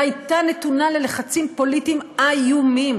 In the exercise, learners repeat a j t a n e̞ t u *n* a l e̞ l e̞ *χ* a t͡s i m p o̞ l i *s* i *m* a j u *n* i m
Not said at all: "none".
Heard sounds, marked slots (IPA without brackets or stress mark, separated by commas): n, χ, t, m, m